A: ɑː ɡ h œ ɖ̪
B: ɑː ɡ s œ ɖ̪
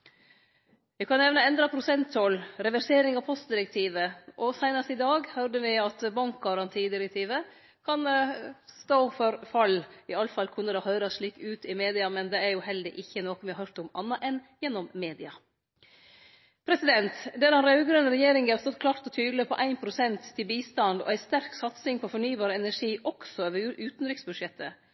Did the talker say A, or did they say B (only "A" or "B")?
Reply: A